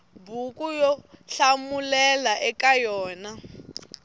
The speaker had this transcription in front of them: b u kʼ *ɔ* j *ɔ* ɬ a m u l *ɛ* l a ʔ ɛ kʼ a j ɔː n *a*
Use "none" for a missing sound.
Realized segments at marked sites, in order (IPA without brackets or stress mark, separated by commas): u, ɔ, ɛ, a